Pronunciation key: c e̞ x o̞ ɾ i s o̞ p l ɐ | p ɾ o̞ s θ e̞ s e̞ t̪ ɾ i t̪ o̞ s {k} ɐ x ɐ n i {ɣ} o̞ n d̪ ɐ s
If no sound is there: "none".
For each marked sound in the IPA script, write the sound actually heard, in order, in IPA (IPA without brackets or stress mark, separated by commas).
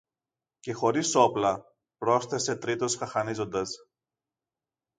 x, z